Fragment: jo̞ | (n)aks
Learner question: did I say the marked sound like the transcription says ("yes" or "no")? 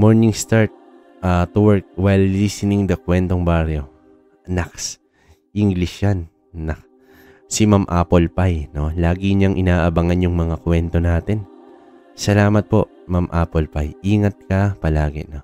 yes